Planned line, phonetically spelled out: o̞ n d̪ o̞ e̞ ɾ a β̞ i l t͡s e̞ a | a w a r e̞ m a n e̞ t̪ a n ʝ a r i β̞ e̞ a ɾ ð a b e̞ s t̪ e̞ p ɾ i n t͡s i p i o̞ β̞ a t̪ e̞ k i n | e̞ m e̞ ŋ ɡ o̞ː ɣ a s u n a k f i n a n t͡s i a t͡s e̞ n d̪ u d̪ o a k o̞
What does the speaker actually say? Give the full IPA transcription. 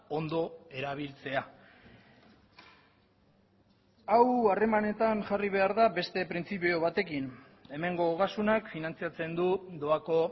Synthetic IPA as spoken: o̞ n d̪ o̞ e̞ ɾ a β̞ i l t͡s e̞ a | a w a r e̞ m a n e̞ t̪ a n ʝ a r i β̞ e̞ a ɾ ð a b e̞ s t̪ e̞ p ɾ i n t͡s i p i o̞ β̞ a t̪ e̞ k i n | e̞ m e̞ ŋ ɡ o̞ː ɣ a s u n a k f i n a n t͡s i a t͡s e̞ n d̪ u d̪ o a k o̞

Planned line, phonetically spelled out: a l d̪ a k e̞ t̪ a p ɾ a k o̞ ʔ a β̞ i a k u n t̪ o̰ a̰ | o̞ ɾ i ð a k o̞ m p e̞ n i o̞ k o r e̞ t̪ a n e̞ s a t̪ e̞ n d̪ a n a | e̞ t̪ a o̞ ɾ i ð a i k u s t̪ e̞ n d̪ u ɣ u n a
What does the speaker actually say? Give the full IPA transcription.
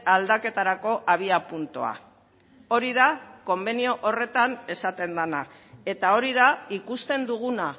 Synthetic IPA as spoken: a l d̪ a k e̞ t̪ a ɾ a k o̞ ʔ a β̞ i a p u n t̪ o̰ a̰ | o̞ ɾ i ð a k o̞ m b e̞ n i o̞ ʔ o r e̞ t̪ a n e̞ s a t̪ e̞ n d̪ a n a | e̞ t̪ a o̞ ɾ i ð a i k u s t̪ e̞ n d̪ u ɣ u n a

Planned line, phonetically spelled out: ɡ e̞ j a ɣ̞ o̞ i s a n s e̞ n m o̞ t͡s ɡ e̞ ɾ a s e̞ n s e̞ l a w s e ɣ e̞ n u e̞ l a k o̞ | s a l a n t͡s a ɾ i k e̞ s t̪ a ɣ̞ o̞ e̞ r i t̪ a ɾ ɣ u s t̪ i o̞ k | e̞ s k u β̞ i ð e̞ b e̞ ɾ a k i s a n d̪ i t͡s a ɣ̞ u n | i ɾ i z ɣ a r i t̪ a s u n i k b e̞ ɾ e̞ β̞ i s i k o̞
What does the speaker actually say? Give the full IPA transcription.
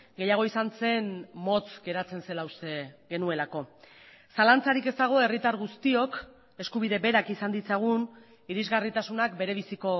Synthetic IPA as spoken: ɡ e̞ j a ɣ̞ o̞ i s a n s e̞ n m o̞ t͡s ɡ e̞ ɾ a t͡s e̞ n s e̞ l a w s e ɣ e̞ n u e̞ l a k o̞ | s a l a n t͡s a ɾ i k e̞ s t̪ a ɣ̞ o̞ e̞ r i t̪ a ɾ ɣ u s t̪ i o̞ k | e̞ s k u β̞ i ð e̞ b e̞ ɾ a k i s a n d̪ i t͡s a ɣ̞ u n | i ɾ i z ɣ a r i t̪ a s u n a k b e̞ ɾ e̞ β̞ i s i k o̞

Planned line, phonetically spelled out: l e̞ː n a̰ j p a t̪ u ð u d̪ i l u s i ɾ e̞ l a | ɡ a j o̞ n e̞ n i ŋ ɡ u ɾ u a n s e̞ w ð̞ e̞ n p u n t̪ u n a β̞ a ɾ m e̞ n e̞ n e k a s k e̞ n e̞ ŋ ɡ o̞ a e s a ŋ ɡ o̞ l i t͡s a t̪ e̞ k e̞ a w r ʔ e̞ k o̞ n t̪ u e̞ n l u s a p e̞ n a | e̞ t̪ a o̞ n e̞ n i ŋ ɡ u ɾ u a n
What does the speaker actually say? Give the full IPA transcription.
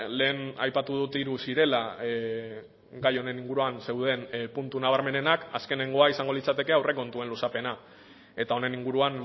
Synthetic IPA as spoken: l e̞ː n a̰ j p a t̪ u ð u t̪ i ɾ u s i ɾ e̞ l a | ɡ a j o̞ n e̞ n i ŋ ɡ u ɾ u a n s e̞ w ð̞ e̞ n p u n t̪ u n a β̞ a ɾ m e̞ n e̞ n a k a s k e̞ n e̞ ŋ ɡ o̞ a i s a ŋ ɡ o̞ l i t͡s a t̪ e̞ k e̞ a w r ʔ e̞ k o̞ n t̪ u e̞ n l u s a p e̞ n a | e̞ t̪ a o̞ n e̞ n i ŋ ɡ u ɾ u a n

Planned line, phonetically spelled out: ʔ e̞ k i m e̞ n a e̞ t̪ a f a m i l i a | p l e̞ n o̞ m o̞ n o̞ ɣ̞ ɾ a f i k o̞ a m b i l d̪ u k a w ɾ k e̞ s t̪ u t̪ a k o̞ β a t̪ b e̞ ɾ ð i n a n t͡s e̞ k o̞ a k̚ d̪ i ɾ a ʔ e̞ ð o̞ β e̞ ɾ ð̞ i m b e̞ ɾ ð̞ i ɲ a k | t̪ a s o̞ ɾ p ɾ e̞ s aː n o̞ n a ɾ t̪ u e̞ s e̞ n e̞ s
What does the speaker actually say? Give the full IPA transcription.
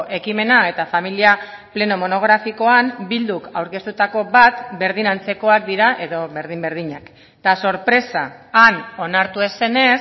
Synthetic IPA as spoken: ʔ e̞ k i m e̞ n a e̞ t̪ a f a m i l i a | p l e̞ n o̞ m o̞ n o̞ ɣ̞ ɾ a f i k o̞ a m b i l d̪ u k a w ɾ k e̞ s t̪ u t̪ a k o̞ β a t̪ b e̞ ɾ ð i n a n t͡s e̞ k o̞ a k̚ d̪ i ɾ a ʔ e̞ ð o̞ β e̞ ɾ ð̞ i m b e̞ ɾ ð̞ i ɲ a k | t̪ a s o̞ ɾ p ɾ e̞ s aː n o̞ n a ɾ t̪ u e̞ s e̞ n e̞ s

